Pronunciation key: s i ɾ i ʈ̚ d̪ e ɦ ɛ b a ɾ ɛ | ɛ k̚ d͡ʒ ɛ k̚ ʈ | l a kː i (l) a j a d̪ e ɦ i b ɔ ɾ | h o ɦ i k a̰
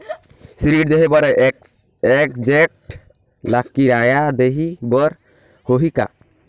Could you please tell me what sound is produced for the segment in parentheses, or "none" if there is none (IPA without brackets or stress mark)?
ɾ